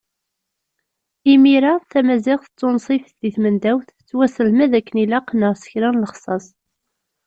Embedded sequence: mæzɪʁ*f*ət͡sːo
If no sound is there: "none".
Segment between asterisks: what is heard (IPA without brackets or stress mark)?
θ